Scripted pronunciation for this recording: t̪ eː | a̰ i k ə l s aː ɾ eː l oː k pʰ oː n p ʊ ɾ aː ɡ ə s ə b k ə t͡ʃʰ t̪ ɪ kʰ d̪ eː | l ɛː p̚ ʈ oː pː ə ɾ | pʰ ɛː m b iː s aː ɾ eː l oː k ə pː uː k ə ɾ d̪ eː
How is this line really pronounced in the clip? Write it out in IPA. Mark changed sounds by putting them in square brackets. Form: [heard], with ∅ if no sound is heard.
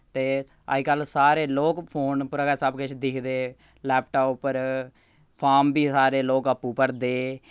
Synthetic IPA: t̪ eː | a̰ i k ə l s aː ɾ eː l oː k pʰ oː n p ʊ ɾ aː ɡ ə s ə b k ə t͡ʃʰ [d̪] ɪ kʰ d̪ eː | l ɛː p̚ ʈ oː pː ə ɾ | pʰ [aː] m b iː s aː ɾ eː l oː k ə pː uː [p] ə ɾ d̪ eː